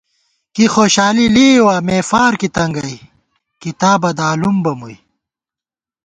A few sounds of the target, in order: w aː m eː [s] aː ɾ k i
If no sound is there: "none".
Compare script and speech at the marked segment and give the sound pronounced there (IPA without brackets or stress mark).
f